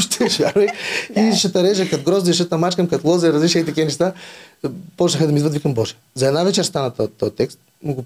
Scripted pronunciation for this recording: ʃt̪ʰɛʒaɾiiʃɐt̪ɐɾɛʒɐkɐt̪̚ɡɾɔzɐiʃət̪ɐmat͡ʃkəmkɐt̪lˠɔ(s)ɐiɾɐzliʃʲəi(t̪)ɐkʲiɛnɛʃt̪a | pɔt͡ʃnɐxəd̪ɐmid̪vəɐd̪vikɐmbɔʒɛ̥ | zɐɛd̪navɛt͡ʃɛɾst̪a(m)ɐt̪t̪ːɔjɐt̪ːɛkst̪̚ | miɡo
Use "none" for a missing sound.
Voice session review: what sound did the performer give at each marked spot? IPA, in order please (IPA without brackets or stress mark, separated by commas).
z, t̪, n